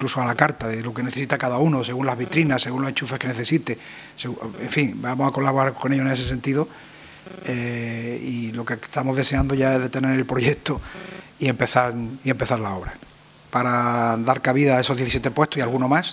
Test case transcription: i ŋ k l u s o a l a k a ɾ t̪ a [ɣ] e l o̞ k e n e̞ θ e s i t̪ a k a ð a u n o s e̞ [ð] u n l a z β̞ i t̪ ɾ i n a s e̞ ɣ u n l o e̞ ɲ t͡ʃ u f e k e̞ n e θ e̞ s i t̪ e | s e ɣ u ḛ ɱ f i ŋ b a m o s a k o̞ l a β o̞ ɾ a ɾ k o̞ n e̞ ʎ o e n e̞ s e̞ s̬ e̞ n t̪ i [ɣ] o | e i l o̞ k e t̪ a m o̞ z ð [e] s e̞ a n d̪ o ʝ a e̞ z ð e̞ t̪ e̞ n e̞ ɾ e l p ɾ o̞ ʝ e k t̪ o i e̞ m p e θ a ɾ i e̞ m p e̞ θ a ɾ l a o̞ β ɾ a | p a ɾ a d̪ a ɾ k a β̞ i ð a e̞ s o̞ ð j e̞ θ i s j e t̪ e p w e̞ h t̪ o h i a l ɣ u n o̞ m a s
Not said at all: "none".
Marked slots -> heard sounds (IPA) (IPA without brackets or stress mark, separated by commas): ð, ɣ, ð, e